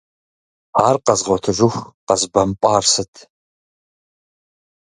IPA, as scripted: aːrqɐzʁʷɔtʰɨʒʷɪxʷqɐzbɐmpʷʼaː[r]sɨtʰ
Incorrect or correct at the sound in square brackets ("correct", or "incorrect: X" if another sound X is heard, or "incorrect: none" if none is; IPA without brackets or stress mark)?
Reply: correct